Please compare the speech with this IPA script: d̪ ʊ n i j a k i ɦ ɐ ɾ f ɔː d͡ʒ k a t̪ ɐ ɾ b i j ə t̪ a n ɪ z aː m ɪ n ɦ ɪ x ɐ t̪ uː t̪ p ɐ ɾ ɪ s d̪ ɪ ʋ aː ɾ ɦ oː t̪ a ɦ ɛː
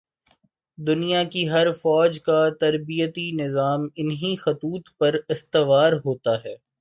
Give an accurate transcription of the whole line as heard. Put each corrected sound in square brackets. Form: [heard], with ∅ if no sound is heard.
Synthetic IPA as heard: d̪ ʊ n i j a k i ɦ ɐ ɾ f ɔː d͡ʒ k a t̪ ɐ ɾ b i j ə t̪ [i] n ɪ z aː m ɪ n ɦ [i] x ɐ t̪ uː t̪ p ɐ ɾ ɪ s [t̪] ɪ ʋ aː ɾ ɦ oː t̪ a ɦ ɛː